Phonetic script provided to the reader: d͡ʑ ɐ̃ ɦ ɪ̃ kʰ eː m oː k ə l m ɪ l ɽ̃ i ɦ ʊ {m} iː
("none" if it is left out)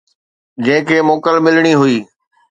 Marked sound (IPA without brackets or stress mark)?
none